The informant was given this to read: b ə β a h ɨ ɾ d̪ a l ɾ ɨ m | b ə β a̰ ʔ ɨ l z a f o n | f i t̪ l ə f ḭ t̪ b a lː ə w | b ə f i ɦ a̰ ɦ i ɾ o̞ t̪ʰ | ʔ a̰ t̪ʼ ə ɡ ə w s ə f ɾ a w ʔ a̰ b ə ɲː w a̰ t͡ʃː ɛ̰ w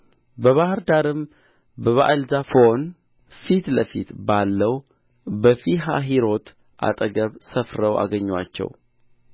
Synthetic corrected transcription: b ə β a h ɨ ɾ d̪ a ɾ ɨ m | b ə β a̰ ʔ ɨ l z a f o n | f i t̪ l ə f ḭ t̪ b a lː ə w | b ə f i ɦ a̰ ɦ i ɾ o̞ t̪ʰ | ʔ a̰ t̪ʼ ə ɡ ə β s ə f ɾ ə w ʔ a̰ ɡ ə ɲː w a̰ t͡ʃː ɛ̰ w